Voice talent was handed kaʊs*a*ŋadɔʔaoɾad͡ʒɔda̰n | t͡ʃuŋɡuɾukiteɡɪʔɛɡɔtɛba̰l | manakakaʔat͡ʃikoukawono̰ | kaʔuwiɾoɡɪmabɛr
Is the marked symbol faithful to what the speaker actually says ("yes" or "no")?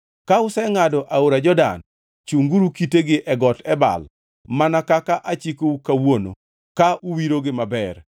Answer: no